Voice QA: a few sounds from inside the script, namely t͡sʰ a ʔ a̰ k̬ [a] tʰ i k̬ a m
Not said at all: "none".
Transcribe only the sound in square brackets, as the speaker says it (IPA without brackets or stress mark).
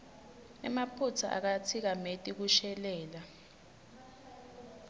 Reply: a